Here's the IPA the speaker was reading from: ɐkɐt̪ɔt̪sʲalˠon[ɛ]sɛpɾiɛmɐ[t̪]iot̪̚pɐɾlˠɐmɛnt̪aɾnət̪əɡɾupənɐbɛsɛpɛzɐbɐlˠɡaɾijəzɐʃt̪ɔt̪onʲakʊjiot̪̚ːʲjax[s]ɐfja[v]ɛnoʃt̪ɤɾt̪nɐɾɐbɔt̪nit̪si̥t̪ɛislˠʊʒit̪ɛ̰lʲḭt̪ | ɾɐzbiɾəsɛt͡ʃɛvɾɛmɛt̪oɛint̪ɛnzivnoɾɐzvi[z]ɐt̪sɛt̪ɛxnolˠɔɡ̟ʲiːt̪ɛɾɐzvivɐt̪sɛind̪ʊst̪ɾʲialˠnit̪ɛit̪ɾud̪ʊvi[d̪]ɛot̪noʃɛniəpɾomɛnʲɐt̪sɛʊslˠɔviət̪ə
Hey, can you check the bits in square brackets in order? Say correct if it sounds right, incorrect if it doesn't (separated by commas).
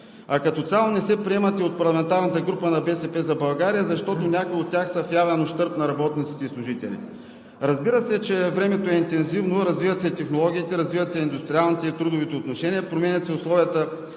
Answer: correct, correct, correct, correct, incorrect, incorrect